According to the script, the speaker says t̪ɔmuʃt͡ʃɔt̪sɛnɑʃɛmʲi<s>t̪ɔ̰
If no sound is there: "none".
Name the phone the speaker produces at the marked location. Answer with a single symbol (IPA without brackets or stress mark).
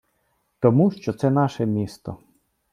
s